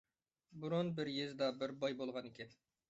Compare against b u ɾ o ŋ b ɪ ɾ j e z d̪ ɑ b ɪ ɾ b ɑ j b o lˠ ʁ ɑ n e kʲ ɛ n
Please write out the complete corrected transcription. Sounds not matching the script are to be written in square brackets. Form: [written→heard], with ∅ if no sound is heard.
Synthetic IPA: b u ɾ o [ŋ→n] b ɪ ɾ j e z d̪ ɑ b ɪ ɾ b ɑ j b o lˠ ʁ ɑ n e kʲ ɛ n